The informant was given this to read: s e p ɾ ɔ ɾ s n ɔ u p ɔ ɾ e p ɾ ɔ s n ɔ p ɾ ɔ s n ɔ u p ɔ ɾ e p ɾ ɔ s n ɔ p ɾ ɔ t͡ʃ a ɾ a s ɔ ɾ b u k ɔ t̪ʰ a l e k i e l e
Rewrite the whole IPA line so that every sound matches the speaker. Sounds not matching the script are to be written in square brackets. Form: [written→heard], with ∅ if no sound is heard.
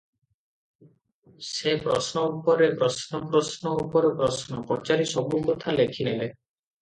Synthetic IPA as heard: s e p ɾ ɔ [ɾ→∅] s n ɔ u p ɔ ɾ e p ɾ ɔ s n ɔ p ɾ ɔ s n ɔ u p ɔ ɾ e p ɾ ɔ s n ɔ p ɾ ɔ t͡ʃ a ɾ [a→i] s ɔ [ɾ→∅] b u k ɔ t̪ʰ a l e [k→kʰ] i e l e